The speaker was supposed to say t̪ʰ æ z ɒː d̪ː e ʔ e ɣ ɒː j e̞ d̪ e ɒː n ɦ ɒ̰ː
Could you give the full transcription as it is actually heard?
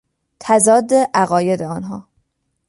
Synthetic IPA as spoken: t̪ʰ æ z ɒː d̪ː e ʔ æ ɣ ɒː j e̞ d̪ e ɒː n ɦ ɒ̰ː

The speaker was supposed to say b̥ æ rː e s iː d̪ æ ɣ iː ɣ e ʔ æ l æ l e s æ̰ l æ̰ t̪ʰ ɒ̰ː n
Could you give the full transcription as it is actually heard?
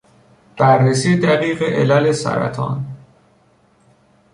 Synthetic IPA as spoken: b̥ æ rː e s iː d̪ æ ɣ iː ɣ e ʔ e l æ l e s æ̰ ɾ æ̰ t̪ʰ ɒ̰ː n

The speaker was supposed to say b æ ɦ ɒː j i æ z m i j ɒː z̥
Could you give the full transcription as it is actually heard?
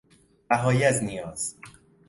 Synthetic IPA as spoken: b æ ɦ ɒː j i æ z n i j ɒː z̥

